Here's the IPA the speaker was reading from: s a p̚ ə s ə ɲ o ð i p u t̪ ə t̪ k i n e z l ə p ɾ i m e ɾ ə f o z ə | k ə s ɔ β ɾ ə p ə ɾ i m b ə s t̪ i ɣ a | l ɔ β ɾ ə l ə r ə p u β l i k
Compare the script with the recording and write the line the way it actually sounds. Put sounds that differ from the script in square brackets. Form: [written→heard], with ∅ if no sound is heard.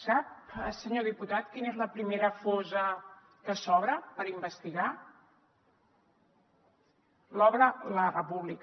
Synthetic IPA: s a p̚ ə s ə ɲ o ð i p u t̪ [ə→a] t̪ k i n e z l ə p ɾ i m e ɾ ə f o z ə | k ə s ɔ β ɾ ə p ə ɾ i m b ə s t̪ i ɣ a | l ɔ β ɾ ə l ə r ə p u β l i k